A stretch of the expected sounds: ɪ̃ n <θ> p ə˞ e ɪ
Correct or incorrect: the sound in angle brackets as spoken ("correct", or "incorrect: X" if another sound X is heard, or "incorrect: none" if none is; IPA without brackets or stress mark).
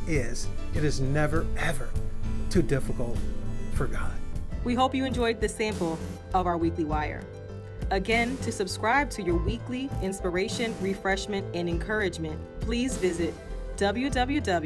incorrect: s